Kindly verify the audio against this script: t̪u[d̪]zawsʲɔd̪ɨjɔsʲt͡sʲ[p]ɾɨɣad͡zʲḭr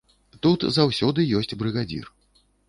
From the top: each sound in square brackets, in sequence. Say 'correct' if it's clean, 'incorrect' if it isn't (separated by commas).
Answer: incorrect, incorrect